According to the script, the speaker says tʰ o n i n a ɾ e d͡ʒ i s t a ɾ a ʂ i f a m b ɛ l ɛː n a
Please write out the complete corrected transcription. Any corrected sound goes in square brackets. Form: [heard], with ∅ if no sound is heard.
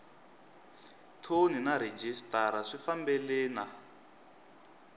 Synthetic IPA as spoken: tʰ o n i n a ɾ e d͡ʒ i s t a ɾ a ʂ i f a m b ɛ l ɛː n a

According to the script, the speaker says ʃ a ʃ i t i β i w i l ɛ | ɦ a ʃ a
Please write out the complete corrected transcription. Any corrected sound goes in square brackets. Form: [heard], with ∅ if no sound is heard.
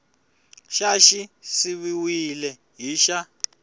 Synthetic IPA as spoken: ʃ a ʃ i [s] i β i w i l ɛ | ɦ [i] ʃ a

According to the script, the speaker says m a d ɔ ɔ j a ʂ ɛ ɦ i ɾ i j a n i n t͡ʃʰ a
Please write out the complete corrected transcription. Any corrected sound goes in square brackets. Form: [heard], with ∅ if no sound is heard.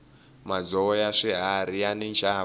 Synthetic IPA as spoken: m a [d͡z] ɔ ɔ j a ʂ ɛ ɦ [a] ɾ i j a n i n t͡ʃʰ a

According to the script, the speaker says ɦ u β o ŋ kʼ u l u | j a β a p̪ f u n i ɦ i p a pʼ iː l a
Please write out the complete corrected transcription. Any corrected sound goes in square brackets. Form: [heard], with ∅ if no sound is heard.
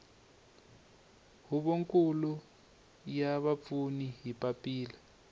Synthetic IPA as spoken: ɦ u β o ŋ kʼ u l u | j a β a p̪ f u n i ɦ i p a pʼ iː l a

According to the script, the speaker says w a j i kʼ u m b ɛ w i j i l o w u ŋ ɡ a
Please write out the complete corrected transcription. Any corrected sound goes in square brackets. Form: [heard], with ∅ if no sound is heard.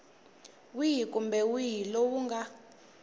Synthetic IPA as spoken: w [i] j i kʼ u m b ɛ w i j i l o w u ŋ ɡ a

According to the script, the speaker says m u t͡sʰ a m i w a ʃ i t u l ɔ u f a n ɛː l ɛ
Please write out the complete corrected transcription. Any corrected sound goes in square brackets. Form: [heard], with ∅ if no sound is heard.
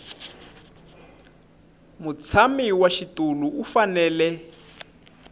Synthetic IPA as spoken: m u t͡sʰ a m i w a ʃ i t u l [u] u f a n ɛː l ɛ

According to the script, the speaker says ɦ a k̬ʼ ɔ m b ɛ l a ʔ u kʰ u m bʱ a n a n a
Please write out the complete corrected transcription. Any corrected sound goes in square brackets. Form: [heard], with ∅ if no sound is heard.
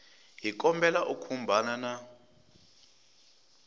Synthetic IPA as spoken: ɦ [i] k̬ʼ ɔ m b ɛ l a ʔ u kʰ u m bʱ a n a n a

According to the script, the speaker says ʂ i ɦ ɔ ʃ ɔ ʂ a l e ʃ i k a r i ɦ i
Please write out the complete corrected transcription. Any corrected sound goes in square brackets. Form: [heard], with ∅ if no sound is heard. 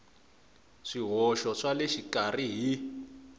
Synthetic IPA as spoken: ʂ i ɦ ɔ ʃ ɔ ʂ a l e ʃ i k a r i ɦ i

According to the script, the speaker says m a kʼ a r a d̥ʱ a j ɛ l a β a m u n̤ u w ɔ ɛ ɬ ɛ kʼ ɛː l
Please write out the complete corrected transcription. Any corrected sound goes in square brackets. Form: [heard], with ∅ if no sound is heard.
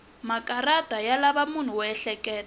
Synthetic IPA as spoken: m a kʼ a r a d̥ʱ a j [a] l a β a m u n̤ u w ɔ ɛ ɬ ɛ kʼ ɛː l

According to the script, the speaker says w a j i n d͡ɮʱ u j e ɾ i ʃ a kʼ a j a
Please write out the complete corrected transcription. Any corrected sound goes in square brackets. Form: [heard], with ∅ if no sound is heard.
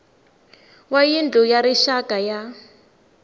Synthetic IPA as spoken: w a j i n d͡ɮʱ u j [a] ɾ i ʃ a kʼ a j a

